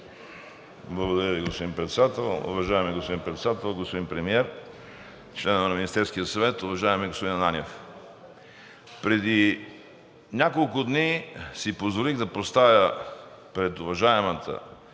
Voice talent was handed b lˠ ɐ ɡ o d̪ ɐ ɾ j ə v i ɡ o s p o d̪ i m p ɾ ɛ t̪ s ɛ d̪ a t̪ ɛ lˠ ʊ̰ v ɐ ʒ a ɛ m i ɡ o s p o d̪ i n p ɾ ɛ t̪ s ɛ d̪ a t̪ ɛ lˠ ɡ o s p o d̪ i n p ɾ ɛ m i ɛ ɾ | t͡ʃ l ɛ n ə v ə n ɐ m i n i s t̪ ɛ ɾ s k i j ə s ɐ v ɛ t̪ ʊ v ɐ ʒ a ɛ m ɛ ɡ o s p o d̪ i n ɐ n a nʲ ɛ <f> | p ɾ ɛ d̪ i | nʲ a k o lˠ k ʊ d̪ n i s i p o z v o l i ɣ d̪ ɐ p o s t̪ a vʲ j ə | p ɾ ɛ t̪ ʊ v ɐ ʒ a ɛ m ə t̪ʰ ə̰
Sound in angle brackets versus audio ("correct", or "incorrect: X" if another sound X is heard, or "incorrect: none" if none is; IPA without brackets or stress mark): correct